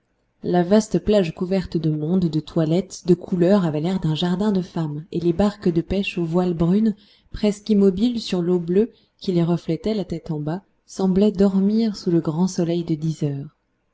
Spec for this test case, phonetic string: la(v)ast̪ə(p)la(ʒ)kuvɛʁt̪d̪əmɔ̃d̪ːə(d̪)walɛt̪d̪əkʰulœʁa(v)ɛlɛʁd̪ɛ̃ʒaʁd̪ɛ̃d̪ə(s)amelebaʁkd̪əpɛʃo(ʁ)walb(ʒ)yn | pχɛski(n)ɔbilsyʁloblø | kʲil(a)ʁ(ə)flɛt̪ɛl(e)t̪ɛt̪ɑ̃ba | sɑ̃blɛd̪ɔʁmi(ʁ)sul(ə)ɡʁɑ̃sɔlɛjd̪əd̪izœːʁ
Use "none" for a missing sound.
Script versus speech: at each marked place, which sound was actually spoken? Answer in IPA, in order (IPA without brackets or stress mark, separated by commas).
v, p, ʒ, t̪, v, f, v, ʁ, m, e, ə, a, ʁ, ə